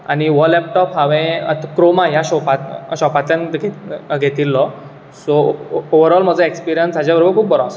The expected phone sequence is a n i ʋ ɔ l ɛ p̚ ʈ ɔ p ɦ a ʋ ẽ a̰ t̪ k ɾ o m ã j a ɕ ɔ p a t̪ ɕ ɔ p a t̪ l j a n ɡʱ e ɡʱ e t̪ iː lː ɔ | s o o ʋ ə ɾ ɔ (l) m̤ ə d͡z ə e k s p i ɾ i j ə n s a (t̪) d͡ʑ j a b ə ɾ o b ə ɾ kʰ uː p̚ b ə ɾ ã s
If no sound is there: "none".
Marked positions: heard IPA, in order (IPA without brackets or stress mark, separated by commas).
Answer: l, none